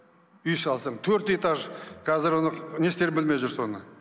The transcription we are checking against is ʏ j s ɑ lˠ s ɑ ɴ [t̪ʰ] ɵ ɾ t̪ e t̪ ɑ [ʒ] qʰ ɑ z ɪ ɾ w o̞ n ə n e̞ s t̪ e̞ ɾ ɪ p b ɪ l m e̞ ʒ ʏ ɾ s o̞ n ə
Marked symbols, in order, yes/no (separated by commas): yes, yes